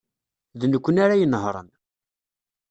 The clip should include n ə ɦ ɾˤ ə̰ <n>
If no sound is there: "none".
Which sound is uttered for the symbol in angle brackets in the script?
n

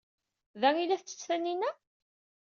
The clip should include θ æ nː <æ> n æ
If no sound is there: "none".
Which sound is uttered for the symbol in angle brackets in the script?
i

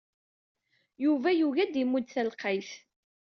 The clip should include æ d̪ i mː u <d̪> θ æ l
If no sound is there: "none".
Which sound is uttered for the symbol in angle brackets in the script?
d̪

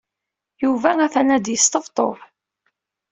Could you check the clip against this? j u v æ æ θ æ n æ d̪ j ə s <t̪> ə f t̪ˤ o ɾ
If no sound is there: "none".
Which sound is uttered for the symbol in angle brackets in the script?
t̪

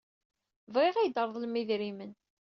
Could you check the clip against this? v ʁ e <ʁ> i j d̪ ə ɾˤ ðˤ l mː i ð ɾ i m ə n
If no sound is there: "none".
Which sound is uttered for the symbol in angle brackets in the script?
ʁ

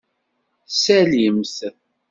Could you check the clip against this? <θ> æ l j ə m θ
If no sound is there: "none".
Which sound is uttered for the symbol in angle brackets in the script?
s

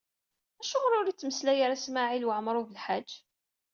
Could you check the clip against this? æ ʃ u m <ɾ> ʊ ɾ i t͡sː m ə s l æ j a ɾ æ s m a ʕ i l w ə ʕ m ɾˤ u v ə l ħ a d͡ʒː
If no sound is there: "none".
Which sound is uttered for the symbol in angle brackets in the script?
ɾ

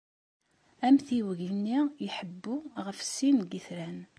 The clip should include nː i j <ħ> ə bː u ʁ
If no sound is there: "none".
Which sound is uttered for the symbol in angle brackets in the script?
ħ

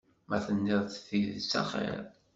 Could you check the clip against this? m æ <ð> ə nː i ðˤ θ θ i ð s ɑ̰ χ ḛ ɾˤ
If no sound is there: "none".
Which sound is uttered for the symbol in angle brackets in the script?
θ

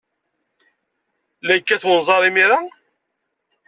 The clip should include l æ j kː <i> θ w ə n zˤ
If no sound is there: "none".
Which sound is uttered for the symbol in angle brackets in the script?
æ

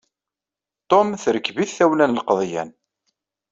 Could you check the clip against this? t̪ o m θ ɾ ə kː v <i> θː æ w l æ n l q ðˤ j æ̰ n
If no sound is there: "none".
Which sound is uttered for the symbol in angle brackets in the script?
i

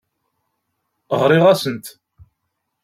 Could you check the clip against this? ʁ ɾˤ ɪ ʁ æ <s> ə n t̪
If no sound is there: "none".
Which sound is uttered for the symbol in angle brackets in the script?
s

